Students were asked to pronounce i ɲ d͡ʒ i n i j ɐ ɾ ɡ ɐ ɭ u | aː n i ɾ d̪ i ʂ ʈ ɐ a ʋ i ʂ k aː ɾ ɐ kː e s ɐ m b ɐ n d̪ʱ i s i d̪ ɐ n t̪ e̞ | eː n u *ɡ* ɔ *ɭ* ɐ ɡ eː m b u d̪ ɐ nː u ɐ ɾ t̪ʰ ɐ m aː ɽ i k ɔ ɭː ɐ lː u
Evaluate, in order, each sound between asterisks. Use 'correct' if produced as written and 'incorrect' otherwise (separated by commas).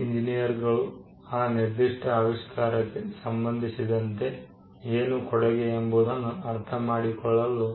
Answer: incorrect, incorrect